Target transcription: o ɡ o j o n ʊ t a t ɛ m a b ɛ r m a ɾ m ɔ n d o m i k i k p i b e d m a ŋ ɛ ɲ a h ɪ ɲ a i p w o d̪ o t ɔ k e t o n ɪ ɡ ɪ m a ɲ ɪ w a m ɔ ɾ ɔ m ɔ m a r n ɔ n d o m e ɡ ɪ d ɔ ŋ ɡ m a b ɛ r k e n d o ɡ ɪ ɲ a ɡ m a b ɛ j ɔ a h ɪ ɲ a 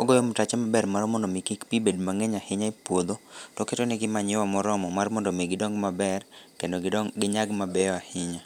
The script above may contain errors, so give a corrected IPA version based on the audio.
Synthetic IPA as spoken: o ɡ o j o m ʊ t a t͡ʃ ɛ m a b ɛ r m a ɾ m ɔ n d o m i k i k p i b e d m a ŋ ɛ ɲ a h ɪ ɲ a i p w o d̪ o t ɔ k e t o n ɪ ɡ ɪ m a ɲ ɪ w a m ɔ ɾ ɔ m ɔ m a r m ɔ n d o m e ɡ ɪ d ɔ ŋ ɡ m a b ɛ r k e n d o ɡ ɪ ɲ a ɡ m a b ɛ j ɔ a h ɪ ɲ a

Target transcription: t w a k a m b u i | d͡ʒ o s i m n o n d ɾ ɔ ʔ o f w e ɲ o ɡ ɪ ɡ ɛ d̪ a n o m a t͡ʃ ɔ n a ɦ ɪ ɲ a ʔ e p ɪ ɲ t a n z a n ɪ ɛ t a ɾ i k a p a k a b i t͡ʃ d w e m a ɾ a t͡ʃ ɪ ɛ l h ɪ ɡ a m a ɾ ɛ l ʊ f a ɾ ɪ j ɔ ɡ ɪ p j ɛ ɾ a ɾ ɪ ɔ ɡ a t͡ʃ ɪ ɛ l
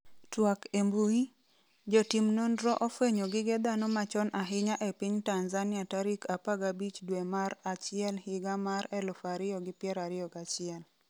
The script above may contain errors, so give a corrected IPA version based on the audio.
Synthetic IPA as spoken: t w a k e m b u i | d͡ʒ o t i m n o n d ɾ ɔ ʔ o f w e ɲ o ɡ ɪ ɡ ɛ d̪ a n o m a t͡ʃ ɔ n a ɦ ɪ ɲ a ʔ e p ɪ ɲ t a n z a n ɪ a t a ɾ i k a p a ɡ a b i t͡ʃ d w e m a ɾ a t͡ʃ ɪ ɛ l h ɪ ɡ a m a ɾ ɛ l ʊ f a ɾ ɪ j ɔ ɡ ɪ p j ɛ ɾ a ɾ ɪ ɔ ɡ a t͡ʃ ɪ ɛ l

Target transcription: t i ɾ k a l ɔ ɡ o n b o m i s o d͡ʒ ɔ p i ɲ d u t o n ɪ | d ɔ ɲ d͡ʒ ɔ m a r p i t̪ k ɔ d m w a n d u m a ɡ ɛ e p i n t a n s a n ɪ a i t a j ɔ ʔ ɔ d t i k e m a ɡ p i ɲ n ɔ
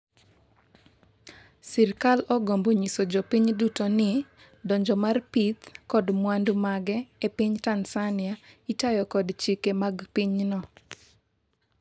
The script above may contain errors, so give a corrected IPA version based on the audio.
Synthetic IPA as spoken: s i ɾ k a l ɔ ɡ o m b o ɲ i s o d͡ʒ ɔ p i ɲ d u t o n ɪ | d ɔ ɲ d͡ʒ ɔ m a r p i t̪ k ɔ d m w a n d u m a ɡ ɛ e p i ɲ t a n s a n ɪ a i t a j ɔ k ɔ d t͡ʃ i k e m a ɡ p i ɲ n ɔ

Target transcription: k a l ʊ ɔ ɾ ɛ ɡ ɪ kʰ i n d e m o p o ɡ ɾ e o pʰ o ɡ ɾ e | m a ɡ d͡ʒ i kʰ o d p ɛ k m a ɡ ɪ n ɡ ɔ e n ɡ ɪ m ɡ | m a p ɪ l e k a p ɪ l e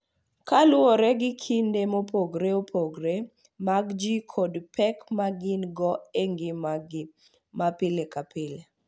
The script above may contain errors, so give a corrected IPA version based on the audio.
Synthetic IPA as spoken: k a l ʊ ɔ ɾ ɛ ɡ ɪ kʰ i n d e m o p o ɡ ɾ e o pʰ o ɡ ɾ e | m a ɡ d͡ʒ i kʰ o d p ɛ k m a ɡ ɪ n ɡ ɔ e ŋ ɡ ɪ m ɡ | m a p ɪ l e k a p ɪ l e

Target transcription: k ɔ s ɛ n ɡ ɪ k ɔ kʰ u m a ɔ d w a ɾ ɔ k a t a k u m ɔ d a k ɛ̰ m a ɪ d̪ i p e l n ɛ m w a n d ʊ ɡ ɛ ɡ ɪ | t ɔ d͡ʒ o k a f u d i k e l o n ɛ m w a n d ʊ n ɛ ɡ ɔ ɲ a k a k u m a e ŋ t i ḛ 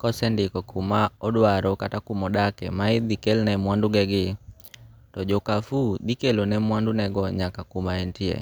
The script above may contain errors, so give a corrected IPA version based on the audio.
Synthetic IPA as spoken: k ɔ s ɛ n d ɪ k ɔ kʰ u m a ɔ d w a ɾ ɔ k a t a k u m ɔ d a k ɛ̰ m a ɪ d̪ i k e l n ɛ m w a n d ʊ ɡ ɛ ɡ ɪ | t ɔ d͡ʒ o k a f u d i k e l o n ɛ m w a n d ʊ n ɛ ɡ ɔ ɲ a k a k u m a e n t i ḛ

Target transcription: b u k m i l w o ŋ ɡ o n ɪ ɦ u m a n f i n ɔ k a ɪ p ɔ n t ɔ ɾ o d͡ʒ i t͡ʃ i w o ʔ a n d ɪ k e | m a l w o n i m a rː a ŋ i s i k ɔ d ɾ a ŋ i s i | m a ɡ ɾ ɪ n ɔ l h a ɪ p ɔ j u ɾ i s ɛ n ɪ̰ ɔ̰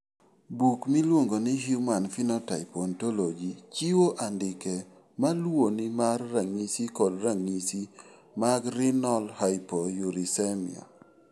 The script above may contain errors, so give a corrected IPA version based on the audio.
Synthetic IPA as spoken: b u k m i l w o ŋ ɡ o n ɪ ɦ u m a n f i n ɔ t a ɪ p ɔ n t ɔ l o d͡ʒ i t͡ʃ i w o ʔ a n d ɪ k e | m a l w o n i m a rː a ŋ i s i k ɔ d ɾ a ŋ i s i | m a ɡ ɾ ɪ n ɔ l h a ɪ p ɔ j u ɾ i s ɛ m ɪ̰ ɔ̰

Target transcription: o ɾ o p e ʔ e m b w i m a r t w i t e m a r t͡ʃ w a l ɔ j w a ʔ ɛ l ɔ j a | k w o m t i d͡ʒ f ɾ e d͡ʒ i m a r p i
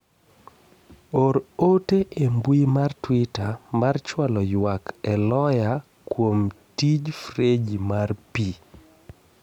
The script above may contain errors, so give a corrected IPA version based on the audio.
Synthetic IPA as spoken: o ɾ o t e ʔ e m b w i m a r t w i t a m a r t͡ʃ w a l ɔ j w a k ɛ l ɔ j a | k w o m t i d͡ʒ f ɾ e d͡ʒ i m a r p i

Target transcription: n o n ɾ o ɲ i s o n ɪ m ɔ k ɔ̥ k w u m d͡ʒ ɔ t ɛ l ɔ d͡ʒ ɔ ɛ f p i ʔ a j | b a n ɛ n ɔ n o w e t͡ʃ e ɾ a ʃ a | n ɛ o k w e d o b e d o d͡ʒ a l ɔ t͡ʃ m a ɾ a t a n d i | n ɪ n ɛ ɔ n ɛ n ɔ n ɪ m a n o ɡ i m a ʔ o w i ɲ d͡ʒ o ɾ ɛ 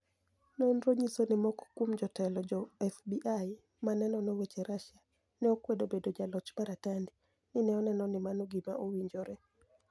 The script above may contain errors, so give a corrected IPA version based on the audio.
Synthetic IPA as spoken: n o n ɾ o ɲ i s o n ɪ m ɔ k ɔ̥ k w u m d͡ʒ ɔ t ɛ l ɔ d͡ʒ ɔ ɛ f b i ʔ a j | m a n ɛ n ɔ n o w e t͡ʃ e ɾ a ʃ a | n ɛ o k w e d o b e d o d͡ʒ a l ɔ t͡ʃ m a ɾ a t a n d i | n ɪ n ɛ ɔ n ɛ n ɔ n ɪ m a n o ɡ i m a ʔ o w i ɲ d͡ʒ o ɾ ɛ

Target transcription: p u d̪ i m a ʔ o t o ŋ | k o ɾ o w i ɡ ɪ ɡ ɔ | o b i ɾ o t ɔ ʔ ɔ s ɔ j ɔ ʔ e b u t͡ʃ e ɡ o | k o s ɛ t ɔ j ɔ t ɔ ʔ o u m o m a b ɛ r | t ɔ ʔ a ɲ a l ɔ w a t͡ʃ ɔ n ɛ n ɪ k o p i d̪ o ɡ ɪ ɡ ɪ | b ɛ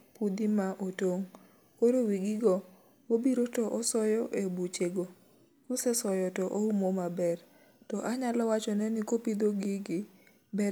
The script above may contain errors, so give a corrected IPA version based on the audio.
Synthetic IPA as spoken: p u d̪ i m a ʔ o t o ŋ | k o ɾ o w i ɡ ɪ ɡ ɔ | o b i ɾ o t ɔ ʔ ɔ s ɔ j ɔ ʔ e b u t͡ʃ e ɡ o | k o s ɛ s ɔ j ɔ t ɔ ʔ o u m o m a b ɛ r | t ɔ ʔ a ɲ a l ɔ w a t͡ʃ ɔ n ɛ n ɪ k o p i d̪ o ɡ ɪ ɡ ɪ | b ɛ

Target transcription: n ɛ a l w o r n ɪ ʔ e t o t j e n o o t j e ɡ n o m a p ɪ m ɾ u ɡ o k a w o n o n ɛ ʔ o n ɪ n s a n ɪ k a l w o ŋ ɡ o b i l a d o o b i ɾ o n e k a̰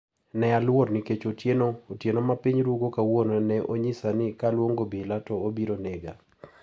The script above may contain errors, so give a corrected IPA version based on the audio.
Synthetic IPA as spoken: n ɛ a l w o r n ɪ k e t͡ʃ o t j e n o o t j e n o m a p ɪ ɲ ɾ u ɡ o k a w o n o n ɛ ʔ o ɲ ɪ s a n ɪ k a l w o ŋ ɡ o b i l a t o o b i ɾ o n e ɡ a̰

